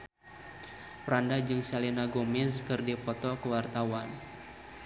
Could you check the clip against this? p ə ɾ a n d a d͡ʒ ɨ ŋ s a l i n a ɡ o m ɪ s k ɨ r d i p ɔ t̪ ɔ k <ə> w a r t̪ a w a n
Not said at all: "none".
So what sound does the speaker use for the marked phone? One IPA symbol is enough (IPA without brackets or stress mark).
ə